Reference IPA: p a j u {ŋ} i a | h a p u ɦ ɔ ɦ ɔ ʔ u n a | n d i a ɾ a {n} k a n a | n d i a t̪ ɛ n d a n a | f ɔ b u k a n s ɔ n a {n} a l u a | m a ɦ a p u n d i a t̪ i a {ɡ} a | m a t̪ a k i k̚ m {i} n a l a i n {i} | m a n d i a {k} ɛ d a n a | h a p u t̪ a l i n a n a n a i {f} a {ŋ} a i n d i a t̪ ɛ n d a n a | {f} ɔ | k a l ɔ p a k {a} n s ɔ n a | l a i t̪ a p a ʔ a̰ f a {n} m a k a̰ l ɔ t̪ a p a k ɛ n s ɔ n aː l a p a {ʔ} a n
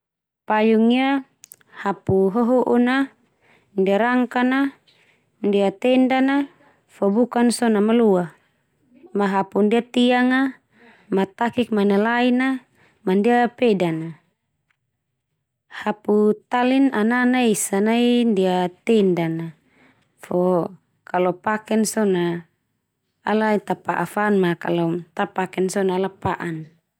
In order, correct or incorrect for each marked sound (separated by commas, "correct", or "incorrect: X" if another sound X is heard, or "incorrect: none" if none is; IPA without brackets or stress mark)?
correct, incorrect: ŋ, incorrect: m, incorrect: ŋ, incorrect: a, incorrect: a, incorrect: p, incorrect: s, incorrect: n, correct, incorrect: ɛ, correct, correct